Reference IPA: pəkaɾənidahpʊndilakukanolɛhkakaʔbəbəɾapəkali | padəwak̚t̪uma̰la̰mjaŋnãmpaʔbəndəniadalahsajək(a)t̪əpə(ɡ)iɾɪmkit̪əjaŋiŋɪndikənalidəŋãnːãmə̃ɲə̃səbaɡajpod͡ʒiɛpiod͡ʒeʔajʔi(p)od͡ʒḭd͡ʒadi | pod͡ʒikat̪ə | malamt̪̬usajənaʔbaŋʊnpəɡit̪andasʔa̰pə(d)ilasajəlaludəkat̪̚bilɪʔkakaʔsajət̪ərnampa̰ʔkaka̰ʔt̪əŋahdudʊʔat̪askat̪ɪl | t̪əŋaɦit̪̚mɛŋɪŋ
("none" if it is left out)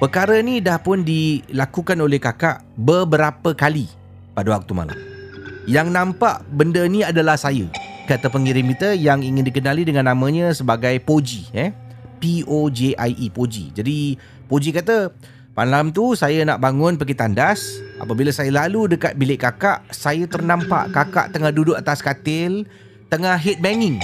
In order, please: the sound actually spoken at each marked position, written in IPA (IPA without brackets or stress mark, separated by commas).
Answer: a, ŋ, p, b